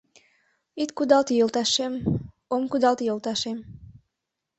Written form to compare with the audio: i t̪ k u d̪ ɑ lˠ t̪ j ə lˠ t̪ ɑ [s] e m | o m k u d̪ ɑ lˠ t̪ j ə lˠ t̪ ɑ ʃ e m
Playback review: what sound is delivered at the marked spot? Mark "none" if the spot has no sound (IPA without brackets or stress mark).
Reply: ʃ